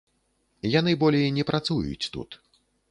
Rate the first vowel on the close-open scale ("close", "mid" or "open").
open